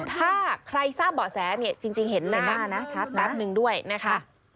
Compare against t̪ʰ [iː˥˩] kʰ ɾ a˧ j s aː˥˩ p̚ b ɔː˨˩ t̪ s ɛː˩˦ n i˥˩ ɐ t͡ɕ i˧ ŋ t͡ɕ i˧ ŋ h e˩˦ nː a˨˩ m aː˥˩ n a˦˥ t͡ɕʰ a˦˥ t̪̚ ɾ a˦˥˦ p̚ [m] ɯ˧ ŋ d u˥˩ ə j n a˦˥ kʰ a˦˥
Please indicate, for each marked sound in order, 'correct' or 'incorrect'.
incorrect, incorrect

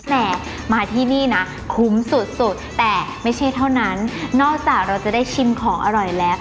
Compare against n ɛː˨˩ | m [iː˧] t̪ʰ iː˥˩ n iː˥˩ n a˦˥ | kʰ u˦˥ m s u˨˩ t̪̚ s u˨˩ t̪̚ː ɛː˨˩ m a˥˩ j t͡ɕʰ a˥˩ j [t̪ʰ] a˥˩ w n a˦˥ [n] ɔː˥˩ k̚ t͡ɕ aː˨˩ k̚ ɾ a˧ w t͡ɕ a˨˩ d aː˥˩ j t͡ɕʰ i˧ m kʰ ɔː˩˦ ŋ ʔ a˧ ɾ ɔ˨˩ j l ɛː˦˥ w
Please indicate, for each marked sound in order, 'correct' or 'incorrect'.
incorrect, correct, incorrect

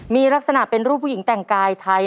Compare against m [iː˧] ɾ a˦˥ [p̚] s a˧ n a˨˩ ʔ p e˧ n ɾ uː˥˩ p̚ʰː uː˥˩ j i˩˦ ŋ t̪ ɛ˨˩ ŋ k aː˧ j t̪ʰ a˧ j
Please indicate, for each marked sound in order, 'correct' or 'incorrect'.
correct, incorrect

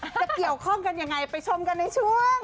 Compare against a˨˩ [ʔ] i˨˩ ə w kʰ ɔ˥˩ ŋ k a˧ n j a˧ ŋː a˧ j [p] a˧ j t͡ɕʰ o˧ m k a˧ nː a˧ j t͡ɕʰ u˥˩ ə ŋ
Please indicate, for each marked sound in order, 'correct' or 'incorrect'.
incorrect, correct

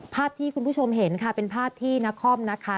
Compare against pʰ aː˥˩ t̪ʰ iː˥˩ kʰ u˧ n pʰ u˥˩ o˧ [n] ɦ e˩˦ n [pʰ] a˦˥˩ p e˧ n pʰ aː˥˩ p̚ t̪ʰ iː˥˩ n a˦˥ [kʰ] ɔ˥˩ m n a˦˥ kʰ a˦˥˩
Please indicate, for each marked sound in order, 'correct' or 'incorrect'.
incorrect, incorrect, correct

